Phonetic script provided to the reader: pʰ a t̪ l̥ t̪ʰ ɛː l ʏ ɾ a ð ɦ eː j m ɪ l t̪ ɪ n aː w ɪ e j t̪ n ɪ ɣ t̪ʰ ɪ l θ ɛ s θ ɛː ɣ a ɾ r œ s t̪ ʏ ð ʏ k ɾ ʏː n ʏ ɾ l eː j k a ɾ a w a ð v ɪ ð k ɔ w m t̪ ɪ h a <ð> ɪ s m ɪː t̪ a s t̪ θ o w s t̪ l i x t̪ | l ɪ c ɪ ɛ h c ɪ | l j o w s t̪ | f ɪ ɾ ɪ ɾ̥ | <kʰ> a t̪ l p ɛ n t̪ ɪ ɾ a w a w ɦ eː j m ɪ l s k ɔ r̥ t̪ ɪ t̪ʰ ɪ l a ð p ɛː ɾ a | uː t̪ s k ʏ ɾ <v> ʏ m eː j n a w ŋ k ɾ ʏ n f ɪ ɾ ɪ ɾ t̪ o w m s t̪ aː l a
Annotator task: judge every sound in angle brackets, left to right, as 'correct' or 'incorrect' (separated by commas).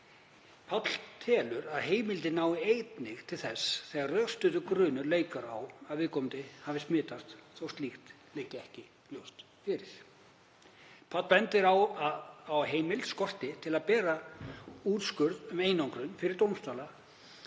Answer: incorrect, incorrect, incorrect